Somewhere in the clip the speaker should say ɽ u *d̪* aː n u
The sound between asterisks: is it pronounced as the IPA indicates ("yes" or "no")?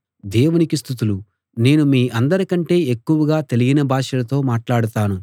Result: no